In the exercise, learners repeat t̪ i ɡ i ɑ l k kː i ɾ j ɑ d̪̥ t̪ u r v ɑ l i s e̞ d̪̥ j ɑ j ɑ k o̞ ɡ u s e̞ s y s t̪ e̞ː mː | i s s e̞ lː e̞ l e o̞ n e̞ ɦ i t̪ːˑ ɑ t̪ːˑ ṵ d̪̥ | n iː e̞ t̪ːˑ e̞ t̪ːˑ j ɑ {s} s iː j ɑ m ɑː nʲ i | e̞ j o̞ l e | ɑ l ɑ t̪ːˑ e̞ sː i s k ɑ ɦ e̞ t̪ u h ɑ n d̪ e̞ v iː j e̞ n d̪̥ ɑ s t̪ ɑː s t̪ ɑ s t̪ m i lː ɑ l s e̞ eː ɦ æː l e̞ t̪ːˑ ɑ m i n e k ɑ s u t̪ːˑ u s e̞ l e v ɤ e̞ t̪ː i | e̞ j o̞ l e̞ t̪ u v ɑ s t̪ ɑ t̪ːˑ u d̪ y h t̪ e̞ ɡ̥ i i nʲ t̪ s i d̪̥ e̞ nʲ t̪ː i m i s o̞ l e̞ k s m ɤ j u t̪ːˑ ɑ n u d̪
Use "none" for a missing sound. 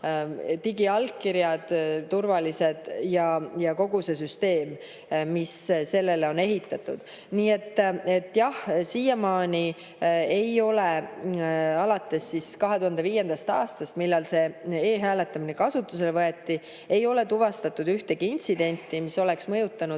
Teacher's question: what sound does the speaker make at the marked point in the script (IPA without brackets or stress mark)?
h